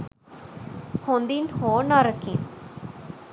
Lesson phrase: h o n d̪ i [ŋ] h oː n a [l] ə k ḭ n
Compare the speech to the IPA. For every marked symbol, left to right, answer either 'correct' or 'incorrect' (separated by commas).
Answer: incorrect, incorrect